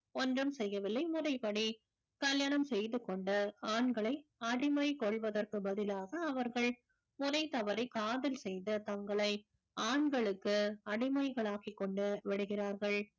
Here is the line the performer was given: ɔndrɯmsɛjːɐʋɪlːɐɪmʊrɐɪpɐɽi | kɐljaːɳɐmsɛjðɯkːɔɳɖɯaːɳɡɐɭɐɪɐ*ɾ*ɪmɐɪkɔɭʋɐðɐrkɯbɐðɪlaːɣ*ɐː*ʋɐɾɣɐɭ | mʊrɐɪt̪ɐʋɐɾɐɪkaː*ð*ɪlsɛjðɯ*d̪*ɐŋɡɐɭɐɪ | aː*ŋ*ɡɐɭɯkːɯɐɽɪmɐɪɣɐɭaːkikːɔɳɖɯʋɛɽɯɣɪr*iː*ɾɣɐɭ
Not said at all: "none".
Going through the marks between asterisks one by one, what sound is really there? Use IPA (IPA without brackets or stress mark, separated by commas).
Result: ɽ, ɐː, ð, t̪, ɳ, aː